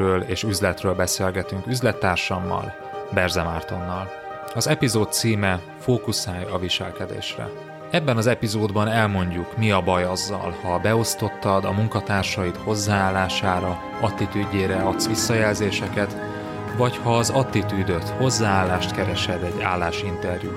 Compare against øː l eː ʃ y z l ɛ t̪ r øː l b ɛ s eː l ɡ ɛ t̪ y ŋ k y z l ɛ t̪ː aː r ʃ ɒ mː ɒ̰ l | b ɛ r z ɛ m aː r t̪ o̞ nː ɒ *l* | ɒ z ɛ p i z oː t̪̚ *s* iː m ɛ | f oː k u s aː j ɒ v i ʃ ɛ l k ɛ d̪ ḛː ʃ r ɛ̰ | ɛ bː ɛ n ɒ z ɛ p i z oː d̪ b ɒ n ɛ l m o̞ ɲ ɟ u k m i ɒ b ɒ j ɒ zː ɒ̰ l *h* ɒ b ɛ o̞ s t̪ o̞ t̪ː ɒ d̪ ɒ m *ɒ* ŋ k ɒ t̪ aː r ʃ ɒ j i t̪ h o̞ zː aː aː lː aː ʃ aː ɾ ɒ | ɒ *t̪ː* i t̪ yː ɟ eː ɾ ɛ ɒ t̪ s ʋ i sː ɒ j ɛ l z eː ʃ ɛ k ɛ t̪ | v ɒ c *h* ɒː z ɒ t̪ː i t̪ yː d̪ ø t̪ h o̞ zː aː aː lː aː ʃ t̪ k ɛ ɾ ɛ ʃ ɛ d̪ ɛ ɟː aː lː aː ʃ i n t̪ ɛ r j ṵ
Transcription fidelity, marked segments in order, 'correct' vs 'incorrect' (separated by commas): correct, correct, correct, incorrect, correct, correct